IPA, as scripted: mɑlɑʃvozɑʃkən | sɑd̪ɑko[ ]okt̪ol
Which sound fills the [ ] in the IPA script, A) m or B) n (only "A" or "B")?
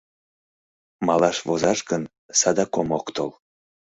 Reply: A